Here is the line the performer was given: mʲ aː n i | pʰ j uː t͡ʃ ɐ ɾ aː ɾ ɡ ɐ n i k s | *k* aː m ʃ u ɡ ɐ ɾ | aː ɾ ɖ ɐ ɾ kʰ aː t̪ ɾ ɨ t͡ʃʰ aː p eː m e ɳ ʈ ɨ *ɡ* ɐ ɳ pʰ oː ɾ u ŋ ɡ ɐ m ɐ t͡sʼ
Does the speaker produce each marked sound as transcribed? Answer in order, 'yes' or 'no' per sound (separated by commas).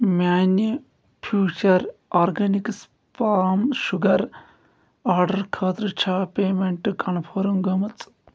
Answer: no, no